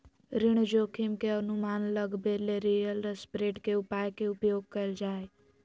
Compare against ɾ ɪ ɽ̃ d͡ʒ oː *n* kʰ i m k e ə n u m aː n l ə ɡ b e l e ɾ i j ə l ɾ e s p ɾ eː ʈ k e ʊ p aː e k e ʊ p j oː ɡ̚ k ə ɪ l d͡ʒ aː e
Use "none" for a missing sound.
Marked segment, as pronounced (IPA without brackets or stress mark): none